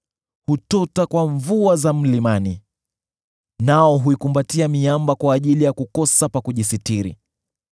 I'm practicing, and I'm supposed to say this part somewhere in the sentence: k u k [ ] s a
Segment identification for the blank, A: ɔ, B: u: A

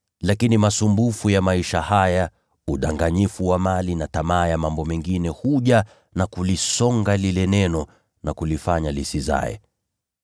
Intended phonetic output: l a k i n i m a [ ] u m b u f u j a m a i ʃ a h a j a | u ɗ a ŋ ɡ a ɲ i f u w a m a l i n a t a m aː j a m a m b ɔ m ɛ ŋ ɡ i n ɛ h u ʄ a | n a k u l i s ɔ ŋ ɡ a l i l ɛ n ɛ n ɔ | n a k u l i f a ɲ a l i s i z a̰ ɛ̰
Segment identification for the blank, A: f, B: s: B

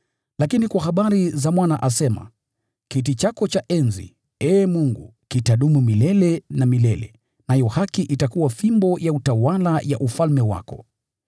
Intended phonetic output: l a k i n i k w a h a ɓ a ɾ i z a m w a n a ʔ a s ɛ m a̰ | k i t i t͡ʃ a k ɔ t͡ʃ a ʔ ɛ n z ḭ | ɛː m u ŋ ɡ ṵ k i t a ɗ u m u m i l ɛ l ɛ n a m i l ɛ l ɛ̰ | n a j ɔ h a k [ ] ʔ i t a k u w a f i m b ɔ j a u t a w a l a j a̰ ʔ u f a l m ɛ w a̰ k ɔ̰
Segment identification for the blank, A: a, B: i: B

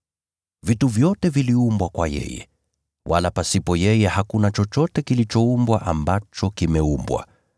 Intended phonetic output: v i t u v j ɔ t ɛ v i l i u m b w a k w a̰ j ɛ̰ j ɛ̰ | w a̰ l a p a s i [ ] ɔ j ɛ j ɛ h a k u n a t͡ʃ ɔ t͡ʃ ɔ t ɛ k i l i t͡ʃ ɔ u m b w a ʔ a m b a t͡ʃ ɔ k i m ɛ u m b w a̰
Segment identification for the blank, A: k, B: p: B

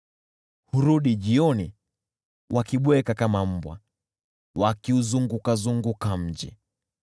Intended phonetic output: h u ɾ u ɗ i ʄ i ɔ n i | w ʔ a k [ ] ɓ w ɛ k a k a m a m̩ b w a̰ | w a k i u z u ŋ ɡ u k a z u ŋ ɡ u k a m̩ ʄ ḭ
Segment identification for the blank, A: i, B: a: A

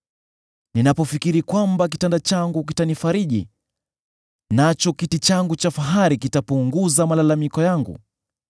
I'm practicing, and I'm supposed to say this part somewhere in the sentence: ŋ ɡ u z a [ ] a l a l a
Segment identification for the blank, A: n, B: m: B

